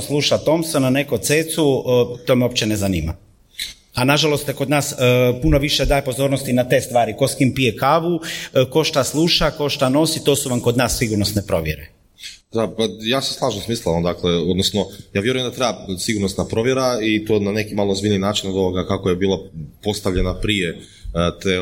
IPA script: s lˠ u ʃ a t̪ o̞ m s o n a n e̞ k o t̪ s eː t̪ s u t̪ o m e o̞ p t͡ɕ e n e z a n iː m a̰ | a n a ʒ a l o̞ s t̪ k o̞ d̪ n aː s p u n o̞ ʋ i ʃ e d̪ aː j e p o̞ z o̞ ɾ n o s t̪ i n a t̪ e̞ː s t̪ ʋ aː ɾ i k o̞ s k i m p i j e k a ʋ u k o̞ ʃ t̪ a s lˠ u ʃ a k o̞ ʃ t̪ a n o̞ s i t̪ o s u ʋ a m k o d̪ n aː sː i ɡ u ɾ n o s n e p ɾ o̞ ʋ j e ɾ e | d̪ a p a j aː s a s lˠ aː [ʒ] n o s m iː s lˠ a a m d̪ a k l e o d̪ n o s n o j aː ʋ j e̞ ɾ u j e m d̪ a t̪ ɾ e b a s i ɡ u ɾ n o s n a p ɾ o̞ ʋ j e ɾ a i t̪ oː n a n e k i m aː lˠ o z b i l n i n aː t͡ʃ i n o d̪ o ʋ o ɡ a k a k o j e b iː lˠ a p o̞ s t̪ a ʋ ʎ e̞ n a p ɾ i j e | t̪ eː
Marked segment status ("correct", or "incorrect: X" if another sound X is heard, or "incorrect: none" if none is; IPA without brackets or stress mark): correct